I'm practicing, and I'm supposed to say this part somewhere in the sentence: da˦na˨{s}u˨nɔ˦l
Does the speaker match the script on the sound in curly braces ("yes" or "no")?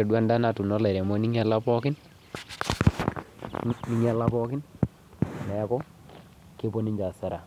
no